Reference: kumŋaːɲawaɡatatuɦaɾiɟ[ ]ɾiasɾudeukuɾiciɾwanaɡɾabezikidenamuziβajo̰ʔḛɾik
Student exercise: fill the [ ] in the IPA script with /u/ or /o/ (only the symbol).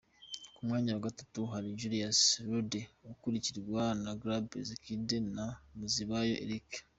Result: u